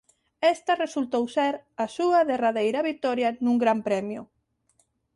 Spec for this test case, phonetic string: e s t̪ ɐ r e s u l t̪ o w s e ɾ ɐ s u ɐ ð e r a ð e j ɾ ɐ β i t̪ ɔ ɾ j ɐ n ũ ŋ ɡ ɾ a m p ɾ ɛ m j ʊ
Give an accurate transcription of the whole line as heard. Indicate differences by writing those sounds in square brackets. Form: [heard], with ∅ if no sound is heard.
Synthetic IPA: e s t̪ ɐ r e s u l t̪ o w s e ɾ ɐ s u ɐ ð e r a ð e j ɾ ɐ β i t̪ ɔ ɾ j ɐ n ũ ŋ ɡ ɾ a m p ɾ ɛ m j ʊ

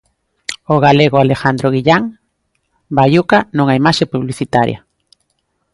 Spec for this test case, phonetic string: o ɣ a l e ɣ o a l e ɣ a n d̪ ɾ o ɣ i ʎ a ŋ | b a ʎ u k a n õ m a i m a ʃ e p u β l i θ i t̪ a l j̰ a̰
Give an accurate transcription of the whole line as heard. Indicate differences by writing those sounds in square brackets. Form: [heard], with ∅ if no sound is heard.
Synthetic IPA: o ɣ a l e ɣ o a l e [x] a n d̪ ɾ o ɣ i ʎ a ŋ | b a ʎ u k a n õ [ŋ] a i m a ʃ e p u β l i θ i t̪ a [ɾ] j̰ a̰

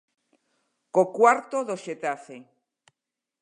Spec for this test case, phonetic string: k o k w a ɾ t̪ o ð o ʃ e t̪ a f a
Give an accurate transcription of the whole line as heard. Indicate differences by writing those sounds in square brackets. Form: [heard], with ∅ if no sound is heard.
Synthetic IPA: k o k w a ɾ t̪ o ð o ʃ e t̪ a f [e]

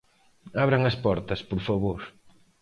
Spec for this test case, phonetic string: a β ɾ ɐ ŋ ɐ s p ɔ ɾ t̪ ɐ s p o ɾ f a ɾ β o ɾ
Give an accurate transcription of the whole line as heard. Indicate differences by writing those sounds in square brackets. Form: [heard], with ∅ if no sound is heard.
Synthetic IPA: a β ɾ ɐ ŋ ɐ s p ɔ ɾ t̪ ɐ s p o ɾ f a [∅] β o ɾ

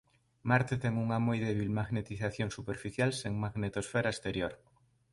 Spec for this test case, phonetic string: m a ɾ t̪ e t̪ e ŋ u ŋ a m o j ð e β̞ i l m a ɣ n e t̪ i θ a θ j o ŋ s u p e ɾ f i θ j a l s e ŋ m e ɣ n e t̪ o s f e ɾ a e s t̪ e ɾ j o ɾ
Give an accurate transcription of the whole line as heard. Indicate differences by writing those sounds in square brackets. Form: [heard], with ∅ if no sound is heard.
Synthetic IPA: m a ɾ t̪ e t̪ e ŋ u ŋ a m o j ð e β̞ i l m a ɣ n e t̪ i θ a θ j o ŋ s u p e ɾ f i θ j a l s e ŋ m [a] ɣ n e t̪ o s f e ɾ a e s t̪ e ɾ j o ɾ

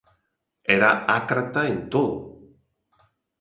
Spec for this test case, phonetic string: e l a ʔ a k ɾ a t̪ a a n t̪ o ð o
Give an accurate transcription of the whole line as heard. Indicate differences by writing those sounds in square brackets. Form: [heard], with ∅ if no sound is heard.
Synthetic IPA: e [ɾ] a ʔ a k ɾ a t̪ a [e] n t̪ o ð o

